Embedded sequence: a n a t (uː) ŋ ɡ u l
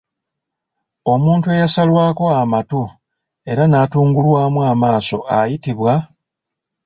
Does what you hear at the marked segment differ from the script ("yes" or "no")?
no